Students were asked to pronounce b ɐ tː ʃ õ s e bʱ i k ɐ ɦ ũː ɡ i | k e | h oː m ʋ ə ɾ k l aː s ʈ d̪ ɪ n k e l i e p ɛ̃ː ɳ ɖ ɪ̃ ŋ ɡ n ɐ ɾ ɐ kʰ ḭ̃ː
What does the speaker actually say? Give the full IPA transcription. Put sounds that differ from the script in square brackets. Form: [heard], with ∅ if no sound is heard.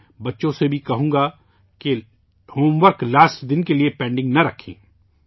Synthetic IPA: b ɐ tː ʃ õ s e bʱ i k ɐ ɦ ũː ɡ [a] | k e | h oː m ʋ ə ɾ k l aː s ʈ d̪ ɪ n k e l i e p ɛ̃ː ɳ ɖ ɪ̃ ŋ ɡ n ɐ ɾ ɐ kʰ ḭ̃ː